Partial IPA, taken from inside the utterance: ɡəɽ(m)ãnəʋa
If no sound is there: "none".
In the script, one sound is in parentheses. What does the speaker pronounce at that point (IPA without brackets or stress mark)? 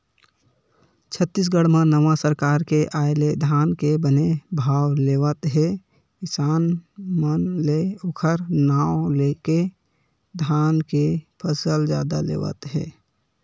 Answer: m